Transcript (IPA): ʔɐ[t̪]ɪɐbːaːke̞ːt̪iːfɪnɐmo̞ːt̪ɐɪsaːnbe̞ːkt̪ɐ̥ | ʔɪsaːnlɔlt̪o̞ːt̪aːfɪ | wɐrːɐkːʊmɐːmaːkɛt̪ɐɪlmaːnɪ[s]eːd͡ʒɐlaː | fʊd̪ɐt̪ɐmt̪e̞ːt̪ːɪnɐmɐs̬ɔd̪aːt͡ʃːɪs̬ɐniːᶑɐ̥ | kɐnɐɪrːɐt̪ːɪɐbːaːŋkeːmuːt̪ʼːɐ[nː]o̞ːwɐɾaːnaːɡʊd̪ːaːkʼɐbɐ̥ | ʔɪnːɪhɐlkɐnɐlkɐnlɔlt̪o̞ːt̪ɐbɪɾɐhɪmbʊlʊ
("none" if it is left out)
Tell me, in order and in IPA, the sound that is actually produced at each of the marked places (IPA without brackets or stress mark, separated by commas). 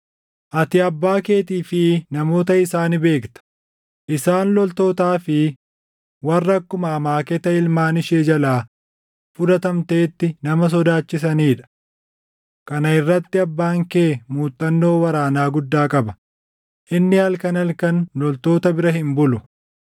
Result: t̪, ʃ, nː